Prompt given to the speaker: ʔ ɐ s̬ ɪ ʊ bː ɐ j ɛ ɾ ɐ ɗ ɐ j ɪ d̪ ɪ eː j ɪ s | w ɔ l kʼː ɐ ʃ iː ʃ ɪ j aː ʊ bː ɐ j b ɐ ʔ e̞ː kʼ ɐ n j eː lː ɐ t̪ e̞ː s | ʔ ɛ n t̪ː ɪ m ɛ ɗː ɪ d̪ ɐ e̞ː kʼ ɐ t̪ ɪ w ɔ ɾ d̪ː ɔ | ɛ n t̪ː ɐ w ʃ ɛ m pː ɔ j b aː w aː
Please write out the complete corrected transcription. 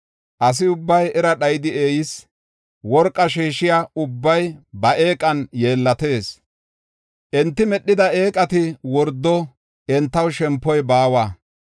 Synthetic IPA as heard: ʔ ɐ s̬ ɪ ʊ bː ɐ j ɛ ɾ ɐ ɗ ɐ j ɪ d̪ ɪ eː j ɪ s | w ɔ ɾ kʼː ɐ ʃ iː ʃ ɪ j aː ʊ bː ɐ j b ɐ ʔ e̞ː kʼ ɐ n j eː lː ɐ t̪ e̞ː s | ʔ ɛ n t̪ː ɪ m ɛ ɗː ɪ d̪ ɐ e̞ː kʼ ɐ t̪ ɪ w ɔ ɾ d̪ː ɔ | ɛ n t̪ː ɐ w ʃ ɛ m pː ɔ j b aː w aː